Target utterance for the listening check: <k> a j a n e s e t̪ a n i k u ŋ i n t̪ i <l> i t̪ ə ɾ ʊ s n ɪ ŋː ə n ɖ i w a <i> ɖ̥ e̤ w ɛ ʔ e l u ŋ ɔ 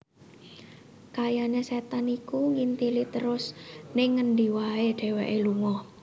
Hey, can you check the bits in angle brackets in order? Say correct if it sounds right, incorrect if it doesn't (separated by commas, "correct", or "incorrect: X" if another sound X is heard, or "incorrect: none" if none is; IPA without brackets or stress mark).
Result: correct, correct, incorrect: e